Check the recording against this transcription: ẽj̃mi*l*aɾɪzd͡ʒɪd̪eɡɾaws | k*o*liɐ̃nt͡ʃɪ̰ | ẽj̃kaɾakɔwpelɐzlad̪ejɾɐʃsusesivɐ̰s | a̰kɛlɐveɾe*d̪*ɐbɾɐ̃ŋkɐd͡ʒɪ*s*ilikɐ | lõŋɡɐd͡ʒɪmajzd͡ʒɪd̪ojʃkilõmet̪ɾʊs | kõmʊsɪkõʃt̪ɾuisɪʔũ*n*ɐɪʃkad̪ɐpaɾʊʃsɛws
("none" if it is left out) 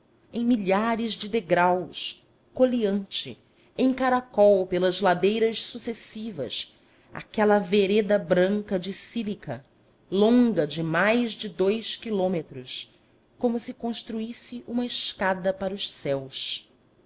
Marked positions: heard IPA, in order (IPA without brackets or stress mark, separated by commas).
ʎ, o, d̪, s, m